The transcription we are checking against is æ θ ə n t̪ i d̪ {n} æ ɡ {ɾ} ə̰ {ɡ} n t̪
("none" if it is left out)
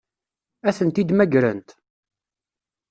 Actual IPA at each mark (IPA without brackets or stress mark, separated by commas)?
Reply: m, ɾ, none